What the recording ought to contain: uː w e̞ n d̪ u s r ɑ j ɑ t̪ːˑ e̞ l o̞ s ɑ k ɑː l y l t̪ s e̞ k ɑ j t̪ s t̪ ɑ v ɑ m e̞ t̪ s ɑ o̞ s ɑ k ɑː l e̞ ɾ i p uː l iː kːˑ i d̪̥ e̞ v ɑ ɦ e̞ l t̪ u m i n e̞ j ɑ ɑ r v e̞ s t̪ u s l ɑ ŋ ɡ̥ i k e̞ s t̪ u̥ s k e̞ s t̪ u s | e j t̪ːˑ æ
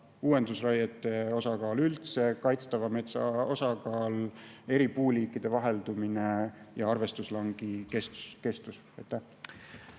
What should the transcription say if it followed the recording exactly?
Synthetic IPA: uː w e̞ n d̪ u s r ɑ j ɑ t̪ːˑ e̞ o̞ s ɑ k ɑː l y l t̪ s e̞ k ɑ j t̪ s t̪ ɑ v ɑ m e̞ t̪ s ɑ o̞ s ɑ k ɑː l e̞ ɾ i p uː l iː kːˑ i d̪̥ e̞ v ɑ ɦ e̞ l d̪ u m i n e̞ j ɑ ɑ r v e̞ s t̪ u s l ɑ ŋ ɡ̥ i k e̞ s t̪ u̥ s k e̞ s t̪ u s | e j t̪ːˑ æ